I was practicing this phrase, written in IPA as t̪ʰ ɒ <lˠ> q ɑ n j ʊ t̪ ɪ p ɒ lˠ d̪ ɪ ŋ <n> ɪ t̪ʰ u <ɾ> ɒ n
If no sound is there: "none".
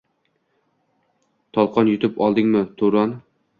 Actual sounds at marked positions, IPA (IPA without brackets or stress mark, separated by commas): lˠ, m, ɾ